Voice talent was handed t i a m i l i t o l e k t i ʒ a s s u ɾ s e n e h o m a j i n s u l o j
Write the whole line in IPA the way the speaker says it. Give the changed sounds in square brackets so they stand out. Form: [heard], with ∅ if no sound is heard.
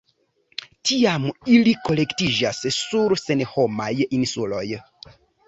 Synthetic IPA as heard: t i a m i l i [k] o l e k t i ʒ a s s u ɾ s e n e h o m a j i n s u l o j